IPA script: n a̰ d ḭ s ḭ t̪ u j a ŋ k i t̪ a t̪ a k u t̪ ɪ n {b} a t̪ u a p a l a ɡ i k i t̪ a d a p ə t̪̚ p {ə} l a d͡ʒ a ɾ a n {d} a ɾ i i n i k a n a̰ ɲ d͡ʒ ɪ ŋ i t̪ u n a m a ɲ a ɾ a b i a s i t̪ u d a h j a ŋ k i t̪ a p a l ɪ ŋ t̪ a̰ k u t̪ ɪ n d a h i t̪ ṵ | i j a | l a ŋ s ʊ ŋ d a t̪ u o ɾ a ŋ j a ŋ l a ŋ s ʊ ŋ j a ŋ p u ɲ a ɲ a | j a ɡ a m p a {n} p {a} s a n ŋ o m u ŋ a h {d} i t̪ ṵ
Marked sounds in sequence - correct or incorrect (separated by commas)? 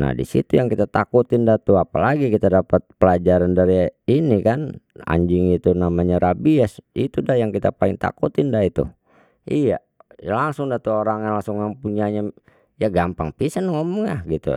incorrect, correct, correct, incorrect, incorrect, incorrect